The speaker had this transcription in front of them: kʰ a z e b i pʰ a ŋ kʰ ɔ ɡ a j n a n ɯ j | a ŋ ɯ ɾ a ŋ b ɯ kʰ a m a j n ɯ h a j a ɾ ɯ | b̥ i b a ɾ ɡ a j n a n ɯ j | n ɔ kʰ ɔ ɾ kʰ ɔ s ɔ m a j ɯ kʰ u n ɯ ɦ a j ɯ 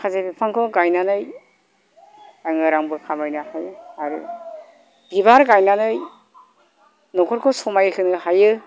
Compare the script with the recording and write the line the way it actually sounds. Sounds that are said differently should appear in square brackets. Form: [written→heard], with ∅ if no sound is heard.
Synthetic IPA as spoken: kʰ a z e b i pʰ a ŋ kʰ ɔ ɡ a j n a n ɯ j | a ŋ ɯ ɾ a ŋ b ɯ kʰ a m a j n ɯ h a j a ɾ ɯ | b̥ i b a ɾ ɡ a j n a n ɯ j | n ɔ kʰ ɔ ɾ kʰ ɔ s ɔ m a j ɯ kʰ [u→ɯ] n ɯ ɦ a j ɯ